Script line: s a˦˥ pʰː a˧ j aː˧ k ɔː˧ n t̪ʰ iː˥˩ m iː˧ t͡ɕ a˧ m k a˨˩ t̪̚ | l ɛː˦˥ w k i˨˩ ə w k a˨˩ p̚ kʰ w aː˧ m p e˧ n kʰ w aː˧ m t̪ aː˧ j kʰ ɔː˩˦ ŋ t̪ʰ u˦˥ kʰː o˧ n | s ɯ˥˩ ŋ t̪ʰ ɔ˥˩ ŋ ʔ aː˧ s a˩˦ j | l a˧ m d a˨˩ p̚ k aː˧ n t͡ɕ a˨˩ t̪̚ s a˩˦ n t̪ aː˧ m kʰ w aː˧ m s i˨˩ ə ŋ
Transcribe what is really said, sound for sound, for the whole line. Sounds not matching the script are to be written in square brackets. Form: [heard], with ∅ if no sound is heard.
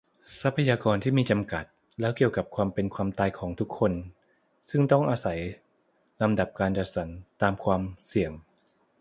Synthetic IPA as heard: s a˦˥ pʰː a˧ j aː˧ k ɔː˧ n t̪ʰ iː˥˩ m iː˧ t͡ɕ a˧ m k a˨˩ t̪̚ | l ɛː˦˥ w k i˨˩ ə w k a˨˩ p̚ kʰ w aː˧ m p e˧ n kʰ w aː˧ m t̪ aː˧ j kʰ ɔː˩˦ ŋ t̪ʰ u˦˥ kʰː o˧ n | s ɯ˥˩ ŋ [t̪] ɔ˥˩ ŋ ʔ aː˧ s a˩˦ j | l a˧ m d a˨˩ p̚ k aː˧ n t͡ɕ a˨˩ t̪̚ s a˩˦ n t̪ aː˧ m kʰ w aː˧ m s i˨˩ ə ŋ